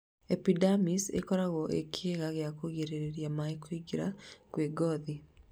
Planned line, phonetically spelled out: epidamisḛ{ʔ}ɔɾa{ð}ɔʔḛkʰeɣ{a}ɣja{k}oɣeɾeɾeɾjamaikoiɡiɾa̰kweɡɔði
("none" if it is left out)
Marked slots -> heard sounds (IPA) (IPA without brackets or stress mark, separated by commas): k, ɣ, a, k